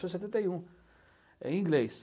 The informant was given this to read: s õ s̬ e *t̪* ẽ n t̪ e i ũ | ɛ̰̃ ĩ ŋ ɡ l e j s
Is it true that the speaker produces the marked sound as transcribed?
yes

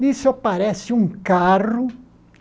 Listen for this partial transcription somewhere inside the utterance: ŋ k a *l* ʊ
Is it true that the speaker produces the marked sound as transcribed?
no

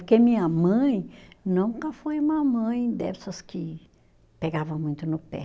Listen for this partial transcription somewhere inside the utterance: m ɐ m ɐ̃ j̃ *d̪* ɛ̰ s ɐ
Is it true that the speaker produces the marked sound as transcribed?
yes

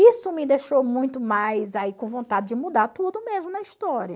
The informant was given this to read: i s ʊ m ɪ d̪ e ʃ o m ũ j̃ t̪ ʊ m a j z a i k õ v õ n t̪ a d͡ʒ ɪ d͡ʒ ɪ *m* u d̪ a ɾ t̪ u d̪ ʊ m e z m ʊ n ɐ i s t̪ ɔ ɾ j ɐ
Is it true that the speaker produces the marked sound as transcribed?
yes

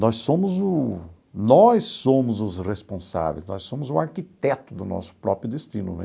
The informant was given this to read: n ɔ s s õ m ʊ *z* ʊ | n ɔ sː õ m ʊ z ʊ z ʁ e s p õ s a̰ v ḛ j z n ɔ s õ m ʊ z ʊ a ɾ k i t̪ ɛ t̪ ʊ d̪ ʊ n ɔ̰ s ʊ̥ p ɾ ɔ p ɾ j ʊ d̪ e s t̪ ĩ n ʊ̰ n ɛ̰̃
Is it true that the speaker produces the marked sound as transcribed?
yes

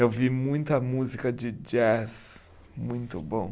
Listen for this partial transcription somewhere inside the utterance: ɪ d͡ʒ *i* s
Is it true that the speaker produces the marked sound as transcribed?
no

